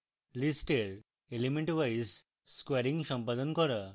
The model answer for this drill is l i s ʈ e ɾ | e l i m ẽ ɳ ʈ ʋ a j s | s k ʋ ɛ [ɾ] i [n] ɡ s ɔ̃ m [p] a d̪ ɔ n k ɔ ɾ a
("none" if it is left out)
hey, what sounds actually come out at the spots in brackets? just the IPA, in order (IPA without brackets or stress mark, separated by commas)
ɾ, ŋ, p